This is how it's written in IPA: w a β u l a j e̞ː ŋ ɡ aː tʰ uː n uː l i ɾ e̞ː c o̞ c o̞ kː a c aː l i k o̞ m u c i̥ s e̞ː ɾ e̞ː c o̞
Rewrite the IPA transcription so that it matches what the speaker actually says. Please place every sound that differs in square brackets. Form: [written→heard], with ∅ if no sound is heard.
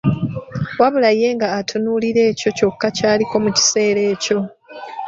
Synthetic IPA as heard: w a β u l a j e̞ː ŋ ɡ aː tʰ [uː→u] n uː l i ɾ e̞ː c o̞ c o̞ kː a c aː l i k o̞ m u c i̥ s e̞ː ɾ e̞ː c o̞